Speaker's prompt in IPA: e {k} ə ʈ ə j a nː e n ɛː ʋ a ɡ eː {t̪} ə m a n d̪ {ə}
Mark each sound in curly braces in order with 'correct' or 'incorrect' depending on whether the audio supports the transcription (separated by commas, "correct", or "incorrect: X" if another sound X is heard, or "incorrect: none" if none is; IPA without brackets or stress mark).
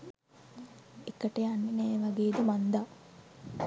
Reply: correct, incorrect: d̪, incorrect: a